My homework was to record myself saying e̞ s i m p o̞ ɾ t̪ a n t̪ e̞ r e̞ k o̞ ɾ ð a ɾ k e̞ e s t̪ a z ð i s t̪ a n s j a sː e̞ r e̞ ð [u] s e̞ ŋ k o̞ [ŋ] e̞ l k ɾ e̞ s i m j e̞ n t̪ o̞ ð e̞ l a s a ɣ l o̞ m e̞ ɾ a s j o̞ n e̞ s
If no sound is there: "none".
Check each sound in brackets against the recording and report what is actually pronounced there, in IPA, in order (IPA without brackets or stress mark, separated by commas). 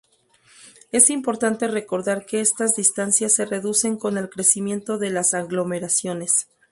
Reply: u, n